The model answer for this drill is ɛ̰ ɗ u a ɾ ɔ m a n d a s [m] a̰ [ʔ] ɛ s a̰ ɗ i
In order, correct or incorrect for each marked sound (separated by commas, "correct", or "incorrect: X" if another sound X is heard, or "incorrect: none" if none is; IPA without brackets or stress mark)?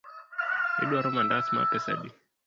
correct, incorrect: p